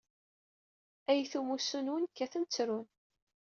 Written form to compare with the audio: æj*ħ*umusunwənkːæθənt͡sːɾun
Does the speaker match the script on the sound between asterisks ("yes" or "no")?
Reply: no